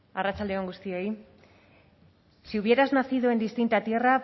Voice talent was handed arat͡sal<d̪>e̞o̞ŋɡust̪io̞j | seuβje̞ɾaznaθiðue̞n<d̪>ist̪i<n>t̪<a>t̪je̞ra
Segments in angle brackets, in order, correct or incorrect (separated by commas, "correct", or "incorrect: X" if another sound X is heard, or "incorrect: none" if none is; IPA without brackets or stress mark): correct, correct, correct, correct